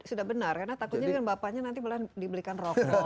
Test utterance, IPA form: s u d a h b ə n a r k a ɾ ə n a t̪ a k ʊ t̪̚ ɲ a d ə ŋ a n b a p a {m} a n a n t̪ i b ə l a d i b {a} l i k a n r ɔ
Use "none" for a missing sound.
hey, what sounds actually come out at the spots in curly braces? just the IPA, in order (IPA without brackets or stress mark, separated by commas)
ɲ, ə